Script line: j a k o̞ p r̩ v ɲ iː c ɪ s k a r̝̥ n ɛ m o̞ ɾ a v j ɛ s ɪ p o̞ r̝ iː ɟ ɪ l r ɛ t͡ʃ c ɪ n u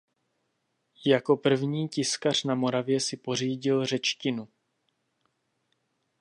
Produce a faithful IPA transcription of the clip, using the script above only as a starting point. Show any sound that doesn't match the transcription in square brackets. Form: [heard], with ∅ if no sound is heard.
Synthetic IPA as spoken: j a k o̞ p r̩ v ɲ iː c ɪ s k a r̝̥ n [a] m o̞ ɾ a v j ɛ s ɪ p o̞ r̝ iː ɟ ɪ l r ɛ t͡ʃ c ɪ n u